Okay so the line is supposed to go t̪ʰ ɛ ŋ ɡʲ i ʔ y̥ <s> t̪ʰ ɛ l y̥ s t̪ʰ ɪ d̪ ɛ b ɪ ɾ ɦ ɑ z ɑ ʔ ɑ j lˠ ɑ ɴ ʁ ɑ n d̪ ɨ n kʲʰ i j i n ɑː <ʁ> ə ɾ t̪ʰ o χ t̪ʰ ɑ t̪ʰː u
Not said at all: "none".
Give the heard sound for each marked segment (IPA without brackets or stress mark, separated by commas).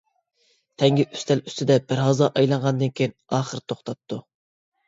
s, χ